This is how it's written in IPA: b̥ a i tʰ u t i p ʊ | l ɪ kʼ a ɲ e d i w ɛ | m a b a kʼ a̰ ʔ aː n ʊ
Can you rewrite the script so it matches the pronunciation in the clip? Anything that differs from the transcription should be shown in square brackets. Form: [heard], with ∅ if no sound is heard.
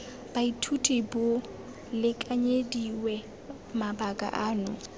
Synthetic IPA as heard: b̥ a i tʰ u [tʼ] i [b] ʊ | l ɪ kʼ a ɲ e d i w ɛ | m a b a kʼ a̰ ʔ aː n ʊ

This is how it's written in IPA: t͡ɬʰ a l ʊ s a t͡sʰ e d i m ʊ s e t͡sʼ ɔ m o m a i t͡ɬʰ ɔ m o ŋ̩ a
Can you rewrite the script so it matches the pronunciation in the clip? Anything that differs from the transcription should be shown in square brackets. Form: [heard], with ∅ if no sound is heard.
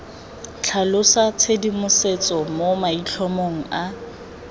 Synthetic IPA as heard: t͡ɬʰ a l ʊ s a t͡sʰ e d i m ʊ s e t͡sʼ ɔ m o m a i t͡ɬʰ ɔ m o ŋ̩ a

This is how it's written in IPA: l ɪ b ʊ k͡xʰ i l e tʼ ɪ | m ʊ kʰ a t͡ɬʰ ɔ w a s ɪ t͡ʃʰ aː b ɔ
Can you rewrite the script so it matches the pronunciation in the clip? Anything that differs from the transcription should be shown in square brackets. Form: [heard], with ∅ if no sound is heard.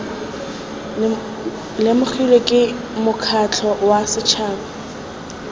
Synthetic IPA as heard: l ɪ [m] ʊ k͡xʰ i l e [kʼ] ɪ | m ʊ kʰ a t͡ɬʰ ɔ w a s ɪ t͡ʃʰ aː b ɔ

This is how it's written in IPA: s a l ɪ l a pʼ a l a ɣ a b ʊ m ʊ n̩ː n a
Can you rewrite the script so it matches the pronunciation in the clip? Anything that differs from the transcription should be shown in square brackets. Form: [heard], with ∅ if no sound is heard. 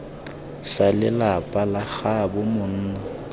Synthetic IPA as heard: s a l ɪ l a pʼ a l a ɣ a b ʊ m ʊ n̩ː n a

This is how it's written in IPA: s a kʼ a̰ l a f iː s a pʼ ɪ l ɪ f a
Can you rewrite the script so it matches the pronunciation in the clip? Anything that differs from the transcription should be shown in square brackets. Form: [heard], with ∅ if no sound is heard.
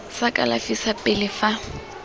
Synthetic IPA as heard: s a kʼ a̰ l a f [i] s a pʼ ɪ l ɪ f a

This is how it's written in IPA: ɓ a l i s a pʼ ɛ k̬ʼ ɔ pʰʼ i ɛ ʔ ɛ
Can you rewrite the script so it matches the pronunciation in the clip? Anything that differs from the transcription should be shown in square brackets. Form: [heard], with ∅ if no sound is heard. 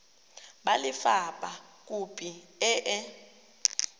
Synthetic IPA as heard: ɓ a l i [f] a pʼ [a] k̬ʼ [u] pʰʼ i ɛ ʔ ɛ

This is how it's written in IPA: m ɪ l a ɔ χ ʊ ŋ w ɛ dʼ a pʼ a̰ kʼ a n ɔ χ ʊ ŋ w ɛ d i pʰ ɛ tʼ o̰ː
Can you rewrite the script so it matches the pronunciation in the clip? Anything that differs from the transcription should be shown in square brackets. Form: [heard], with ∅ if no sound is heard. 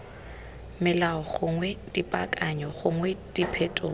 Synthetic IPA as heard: m ɪ l a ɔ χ ʊ ŋ w ɛ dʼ [i] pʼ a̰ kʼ a [ɲ] ɔ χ ʊ ŋ w ɛ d i pʰ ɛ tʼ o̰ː

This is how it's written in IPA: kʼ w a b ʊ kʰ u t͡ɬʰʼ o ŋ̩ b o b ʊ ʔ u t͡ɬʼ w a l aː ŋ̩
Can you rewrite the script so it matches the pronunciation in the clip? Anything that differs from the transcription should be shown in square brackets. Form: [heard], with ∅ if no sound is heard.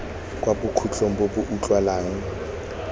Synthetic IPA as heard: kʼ w a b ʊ kʰ u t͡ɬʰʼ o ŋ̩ b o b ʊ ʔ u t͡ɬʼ w a l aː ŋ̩

